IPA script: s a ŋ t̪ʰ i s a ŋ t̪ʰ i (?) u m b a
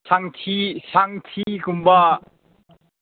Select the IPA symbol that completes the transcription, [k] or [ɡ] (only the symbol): k